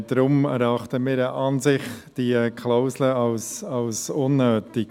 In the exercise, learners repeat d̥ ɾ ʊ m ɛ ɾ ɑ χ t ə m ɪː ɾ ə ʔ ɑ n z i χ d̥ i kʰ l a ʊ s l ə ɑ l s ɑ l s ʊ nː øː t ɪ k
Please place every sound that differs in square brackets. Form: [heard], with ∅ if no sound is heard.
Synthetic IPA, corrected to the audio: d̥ ɾ ʊ m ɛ ɾ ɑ χ t ə m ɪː ɾ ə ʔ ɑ n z [ɪ] χ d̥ i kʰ l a ʊ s l ə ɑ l s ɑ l s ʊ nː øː t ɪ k